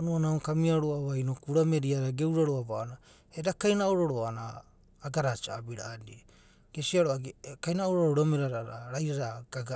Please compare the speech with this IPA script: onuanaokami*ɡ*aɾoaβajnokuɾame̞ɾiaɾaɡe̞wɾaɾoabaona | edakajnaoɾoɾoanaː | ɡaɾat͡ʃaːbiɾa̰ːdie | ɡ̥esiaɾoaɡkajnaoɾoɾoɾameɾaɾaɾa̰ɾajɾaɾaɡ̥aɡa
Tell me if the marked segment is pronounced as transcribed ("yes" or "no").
no